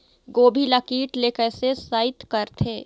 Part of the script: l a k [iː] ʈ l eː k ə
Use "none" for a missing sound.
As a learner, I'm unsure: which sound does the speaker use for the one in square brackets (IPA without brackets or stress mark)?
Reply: iː